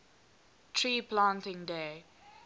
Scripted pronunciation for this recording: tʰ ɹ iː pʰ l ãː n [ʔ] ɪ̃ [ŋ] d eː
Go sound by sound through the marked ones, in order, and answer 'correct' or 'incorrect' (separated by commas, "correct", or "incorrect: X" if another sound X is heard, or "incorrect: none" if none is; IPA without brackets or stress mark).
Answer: incorrect: t, correct